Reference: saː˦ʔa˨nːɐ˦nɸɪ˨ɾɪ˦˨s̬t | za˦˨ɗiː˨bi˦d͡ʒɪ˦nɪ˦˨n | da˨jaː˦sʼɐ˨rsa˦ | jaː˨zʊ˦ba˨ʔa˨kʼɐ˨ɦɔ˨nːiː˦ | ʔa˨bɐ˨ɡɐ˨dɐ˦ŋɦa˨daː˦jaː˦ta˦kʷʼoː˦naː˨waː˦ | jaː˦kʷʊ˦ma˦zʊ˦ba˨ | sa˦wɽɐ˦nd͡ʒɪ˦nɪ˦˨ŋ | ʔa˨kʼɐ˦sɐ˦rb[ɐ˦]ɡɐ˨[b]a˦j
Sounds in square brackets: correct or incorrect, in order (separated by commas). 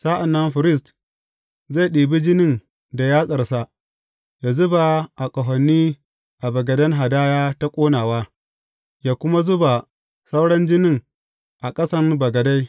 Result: incorrect, incorrect